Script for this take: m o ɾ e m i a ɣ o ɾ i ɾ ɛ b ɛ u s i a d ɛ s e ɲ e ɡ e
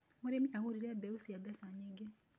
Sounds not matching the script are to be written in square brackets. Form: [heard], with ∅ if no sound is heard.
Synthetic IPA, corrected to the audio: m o ɾ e m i a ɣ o ɾ i ɾ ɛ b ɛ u s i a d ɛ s [a] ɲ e ɡ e